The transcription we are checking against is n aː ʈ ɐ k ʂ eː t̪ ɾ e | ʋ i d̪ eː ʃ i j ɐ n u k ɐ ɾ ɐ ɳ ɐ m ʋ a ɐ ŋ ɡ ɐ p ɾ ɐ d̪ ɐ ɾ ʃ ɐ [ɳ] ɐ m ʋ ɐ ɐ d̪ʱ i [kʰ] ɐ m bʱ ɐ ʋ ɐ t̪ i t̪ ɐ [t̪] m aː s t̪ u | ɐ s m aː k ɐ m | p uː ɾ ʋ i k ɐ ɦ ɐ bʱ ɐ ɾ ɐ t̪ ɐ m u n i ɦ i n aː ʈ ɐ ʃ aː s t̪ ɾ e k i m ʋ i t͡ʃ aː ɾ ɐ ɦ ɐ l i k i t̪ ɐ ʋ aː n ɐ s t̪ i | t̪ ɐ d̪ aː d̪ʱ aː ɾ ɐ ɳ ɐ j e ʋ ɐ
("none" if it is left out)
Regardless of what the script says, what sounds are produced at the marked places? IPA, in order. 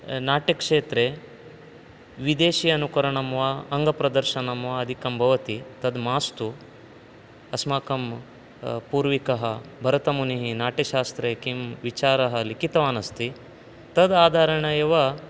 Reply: n, k, d̪

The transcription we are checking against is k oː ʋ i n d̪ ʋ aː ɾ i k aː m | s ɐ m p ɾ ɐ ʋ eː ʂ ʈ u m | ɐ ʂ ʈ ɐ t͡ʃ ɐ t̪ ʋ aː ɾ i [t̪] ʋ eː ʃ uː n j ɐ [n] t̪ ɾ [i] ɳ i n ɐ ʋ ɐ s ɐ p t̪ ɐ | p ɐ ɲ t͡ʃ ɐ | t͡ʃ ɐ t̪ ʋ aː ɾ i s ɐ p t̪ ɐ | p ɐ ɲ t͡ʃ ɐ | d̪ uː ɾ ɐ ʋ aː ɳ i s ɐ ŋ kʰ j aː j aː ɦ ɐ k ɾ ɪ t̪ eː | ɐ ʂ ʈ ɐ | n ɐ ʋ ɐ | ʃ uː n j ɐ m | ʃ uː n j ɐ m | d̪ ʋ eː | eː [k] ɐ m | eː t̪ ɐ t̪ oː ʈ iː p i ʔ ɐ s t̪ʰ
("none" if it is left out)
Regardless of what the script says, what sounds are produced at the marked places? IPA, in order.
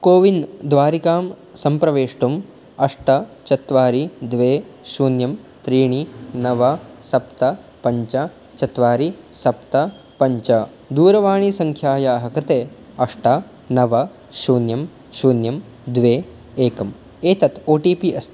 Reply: d̪, m, iː, k

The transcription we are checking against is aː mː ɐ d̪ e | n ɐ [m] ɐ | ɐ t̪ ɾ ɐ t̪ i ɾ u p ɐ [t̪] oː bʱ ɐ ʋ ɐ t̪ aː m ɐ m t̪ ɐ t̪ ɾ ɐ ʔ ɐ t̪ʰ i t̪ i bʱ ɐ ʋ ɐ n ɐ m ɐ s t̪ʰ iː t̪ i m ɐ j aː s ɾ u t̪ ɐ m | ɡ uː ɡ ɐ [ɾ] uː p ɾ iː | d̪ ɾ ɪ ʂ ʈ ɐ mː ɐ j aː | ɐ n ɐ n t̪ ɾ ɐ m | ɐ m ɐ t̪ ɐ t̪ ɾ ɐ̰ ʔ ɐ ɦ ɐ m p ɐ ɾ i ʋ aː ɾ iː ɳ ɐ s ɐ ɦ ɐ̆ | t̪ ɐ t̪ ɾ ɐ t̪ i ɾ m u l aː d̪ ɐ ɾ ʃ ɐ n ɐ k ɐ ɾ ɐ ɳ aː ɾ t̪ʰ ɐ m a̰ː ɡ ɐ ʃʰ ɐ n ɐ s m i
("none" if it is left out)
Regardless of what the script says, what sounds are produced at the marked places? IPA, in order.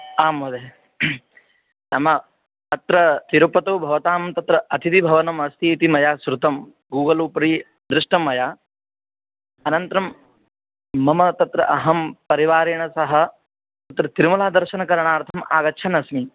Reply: m, t̪, l

